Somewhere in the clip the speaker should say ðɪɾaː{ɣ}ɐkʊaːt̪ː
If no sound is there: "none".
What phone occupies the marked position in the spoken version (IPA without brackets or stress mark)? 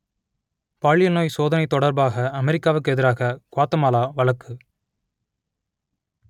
ɣ